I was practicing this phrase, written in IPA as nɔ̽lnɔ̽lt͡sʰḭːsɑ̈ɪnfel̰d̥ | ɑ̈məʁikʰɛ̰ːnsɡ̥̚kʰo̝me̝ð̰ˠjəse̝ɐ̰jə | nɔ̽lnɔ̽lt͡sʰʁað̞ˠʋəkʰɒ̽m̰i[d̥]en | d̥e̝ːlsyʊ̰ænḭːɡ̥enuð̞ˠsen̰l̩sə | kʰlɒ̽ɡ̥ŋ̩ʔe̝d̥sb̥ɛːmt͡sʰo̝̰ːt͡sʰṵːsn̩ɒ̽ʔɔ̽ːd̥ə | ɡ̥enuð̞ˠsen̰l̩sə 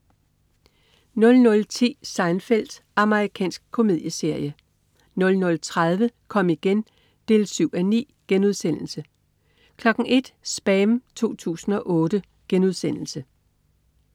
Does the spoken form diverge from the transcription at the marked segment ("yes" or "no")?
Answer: yes